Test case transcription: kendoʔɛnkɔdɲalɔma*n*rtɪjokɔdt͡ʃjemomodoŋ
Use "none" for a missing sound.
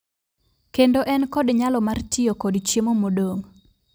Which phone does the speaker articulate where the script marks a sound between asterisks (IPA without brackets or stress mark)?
none